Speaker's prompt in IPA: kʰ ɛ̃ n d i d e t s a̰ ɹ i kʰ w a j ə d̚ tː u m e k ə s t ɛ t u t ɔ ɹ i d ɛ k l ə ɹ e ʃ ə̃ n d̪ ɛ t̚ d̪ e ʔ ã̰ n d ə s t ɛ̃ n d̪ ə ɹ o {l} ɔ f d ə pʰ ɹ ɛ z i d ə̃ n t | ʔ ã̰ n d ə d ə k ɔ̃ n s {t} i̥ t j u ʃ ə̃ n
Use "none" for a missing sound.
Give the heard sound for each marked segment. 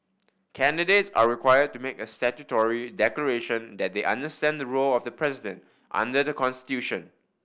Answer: l, t

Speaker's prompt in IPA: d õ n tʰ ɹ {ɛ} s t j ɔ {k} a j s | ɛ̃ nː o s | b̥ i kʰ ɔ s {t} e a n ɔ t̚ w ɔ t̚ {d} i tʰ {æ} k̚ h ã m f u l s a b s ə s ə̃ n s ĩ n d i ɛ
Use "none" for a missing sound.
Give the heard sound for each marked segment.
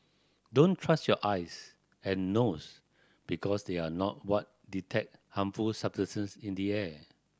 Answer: a, ʔ, d, d, ɛ

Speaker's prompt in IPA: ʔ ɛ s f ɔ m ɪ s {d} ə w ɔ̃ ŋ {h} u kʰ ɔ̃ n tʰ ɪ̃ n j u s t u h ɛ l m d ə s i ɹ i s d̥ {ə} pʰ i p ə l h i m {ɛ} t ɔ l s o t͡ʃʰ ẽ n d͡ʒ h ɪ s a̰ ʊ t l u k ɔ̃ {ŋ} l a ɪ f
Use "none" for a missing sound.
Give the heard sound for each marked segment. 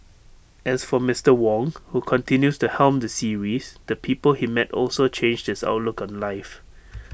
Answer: t, h, ə, ɛ, n

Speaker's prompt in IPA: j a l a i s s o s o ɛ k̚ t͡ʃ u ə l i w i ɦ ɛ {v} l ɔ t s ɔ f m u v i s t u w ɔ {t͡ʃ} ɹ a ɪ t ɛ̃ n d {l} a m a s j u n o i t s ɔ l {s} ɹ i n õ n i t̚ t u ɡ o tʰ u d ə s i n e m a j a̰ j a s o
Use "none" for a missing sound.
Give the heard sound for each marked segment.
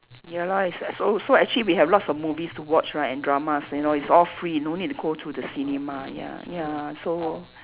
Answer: v, t͡ʃ, ɹ, f

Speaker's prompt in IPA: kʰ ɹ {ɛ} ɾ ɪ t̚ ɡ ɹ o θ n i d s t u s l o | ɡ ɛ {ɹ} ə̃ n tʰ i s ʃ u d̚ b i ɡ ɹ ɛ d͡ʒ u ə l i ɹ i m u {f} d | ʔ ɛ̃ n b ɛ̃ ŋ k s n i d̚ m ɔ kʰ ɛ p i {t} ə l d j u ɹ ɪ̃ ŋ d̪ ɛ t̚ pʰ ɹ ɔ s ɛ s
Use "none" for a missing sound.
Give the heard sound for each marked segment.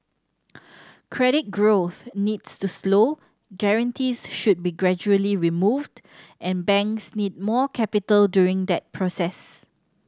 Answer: ɛ, ɹ, v, t

